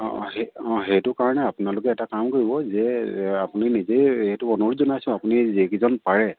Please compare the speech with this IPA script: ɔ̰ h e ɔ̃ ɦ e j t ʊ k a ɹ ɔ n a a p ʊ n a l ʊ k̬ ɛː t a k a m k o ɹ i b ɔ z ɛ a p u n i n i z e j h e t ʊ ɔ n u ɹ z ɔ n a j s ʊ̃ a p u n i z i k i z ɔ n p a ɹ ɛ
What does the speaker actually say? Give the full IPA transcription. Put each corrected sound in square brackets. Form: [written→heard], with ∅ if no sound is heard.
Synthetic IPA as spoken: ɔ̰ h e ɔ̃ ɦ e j t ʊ k a ɹ ɔ n [a→ɛ] a p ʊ n a l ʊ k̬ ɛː t a k a m k o ɹ i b ɔ z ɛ a p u n i n i z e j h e t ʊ ɔ n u ɹ z ɔ n a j s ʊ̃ a p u n i z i k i z ɔ n p a ɹ ɛ

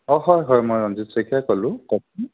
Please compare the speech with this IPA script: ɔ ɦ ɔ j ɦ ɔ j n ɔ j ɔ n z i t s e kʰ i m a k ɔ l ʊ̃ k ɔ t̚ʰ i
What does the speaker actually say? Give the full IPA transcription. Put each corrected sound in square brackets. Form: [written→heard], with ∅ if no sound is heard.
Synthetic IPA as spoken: ɔ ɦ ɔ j ɦ ɔ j [n→m] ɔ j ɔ n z i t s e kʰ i [m→∅] a k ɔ l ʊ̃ k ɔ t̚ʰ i

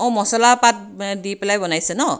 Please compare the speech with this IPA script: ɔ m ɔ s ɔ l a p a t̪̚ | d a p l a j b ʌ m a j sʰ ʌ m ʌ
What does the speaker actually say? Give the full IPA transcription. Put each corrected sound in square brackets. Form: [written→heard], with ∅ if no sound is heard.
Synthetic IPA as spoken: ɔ m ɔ s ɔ l a p a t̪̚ | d [a→i] p l a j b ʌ [m→n] a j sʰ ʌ [m→n] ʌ

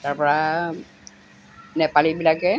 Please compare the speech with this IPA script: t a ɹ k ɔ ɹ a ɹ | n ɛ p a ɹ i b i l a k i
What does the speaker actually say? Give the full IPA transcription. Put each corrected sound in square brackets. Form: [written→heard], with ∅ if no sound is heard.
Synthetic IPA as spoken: t a ɹ [k→p] ɔ ɹ a [ɹ→∅] | n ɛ p a [ɹ→l] i b i l a k [i→ɛ]

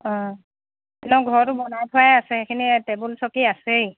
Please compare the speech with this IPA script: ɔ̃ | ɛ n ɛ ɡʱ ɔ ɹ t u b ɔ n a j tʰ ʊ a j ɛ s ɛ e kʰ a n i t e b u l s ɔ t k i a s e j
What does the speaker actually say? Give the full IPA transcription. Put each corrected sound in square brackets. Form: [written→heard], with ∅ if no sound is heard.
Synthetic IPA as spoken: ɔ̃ | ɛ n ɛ ɡʱ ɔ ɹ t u b ɔ n a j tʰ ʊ a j [ɛ→a] s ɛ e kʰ [a→i] n i t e b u l s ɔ [t→∅] k i a s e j

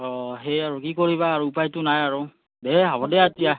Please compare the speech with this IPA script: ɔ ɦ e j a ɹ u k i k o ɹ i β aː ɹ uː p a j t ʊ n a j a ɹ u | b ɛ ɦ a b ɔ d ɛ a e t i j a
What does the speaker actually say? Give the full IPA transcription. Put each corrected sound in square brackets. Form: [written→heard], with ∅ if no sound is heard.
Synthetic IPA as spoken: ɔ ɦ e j a ɹ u k i k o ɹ i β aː ɹ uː p a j t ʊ n a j a ɹ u | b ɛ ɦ a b ɔ d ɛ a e t i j a

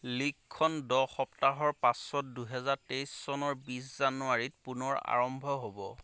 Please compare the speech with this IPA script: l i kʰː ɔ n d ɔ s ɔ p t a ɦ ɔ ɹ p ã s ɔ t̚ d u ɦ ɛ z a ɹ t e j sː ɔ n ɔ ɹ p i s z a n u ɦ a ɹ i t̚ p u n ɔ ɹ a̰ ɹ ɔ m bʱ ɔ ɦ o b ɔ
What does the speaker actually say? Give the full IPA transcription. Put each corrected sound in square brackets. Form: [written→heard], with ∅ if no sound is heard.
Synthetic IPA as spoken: l i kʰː ɔ n d ɔ [s→x] ɔ p t a ɦ ɔ ɹ p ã s ɔ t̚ d u ɦ ɛ z a ɹ t e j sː ɔ n ɔ ɹ [p→b] i s z a n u [ɦ→∅] a ɹ i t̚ p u n ɔ ɹ a̰ ɹ ɔ m bʱ ɔ ɦ o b ɔ

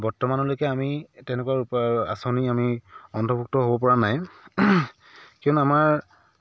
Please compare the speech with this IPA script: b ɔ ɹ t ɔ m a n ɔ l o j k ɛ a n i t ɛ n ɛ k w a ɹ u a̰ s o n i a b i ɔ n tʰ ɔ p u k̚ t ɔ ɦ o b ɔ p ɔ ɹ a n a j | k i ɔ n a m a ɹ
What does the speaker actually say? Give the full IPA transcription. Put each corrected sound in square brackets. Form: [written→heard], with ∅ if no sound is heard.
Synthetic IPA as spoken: b ɔ ɹ t ɔ m a n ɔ l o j k ɛ a [n→m] i t ɛ n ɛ k w a ɹ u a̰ s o n i a [b→m] i ɔ n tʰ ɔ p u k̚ t ɔ ɦ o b ɔ p ɔ ɹ a n a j | k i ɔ n a m a ɹ

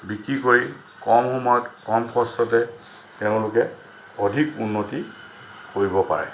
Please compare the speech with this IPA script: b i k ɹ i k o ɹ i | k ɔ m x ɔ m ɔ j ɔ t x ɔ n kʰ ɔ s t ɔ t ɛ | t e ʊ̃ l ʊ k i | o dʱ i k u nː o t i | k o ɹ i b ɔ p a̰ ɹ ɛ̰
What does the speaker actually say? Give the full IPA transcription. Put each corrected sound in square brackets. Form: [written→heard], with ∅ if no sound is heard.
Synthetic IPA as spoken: b i k ɹ i k o ɹ i | k ɔ m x ɔ m ɔ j ɔ t [x→k] ɔ [n→m] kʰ ɔ s t ɔ t ɛ | t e ʊ̃ l ʊ k [i→ɛ] | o dʱ i k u nː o t i | k o ɹ i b ɔ p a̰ ɹ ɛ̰

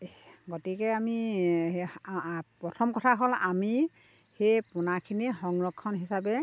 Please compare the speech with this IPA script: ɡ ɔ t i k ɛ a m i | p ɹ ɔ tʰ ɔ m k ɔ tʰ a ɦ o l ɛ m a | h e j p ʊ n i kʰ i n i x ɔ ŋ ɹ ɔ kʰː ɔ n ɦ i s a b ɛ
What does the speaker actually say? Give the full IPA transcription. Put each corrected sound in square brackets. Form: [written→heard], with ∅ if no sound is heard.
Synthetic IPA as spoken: ɡ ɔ t i k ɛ a m i | p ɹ ɔ tʰ ɔ m k ɔ tʰ a ɦ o l [ɛ→a] m [a→i] | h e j p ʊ n [i→a] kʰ i n i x ɔ ŋ ɹ ɔ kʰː ɔ n ɦ i s a b ɛ

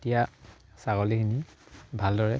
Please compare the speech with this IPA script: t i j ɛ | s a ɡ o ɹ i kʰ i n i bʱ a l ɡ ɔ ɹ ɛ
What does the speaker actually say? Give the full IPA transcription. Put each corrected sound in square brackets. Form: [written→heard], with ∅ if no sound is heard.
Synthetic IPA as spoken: t i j [ɛ→a] | s a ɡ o [ɹ→l] i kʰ i n i bʱ a l [ɡ→d] ɔ ɹ ɛ

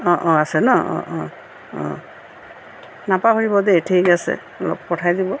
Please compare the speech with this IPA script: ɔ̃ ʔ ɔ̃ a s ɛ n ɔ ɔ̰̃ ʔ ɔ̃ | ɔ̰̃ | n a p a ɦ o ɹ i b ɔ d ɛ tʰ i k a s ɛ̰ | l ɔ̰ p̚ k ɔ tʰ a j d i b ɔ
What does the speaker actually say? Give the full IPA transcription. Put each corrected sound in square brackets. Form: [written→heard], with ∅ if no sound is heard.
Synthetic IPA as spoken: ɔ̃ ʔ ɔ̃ a s ɛ n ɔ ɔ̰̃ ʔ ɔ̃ | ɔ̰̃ | n a p a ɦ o ɹ i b ɔ d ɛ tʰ i k a s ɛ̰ | l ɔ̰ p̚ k ɔ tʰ a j d i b ɔ

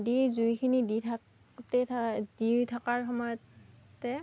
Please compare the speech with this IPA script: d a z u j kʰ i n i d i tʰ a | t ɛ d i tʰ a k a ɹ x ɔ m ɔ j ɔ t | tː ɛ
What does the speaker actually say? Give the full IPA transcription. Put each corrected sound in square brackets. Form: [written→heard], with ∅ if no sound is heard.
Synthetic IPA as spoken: d [a→i] z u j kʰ i n i d i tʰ a | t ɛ d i tʰ a k a ɹ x ɔ m ɔ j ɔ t | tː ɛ

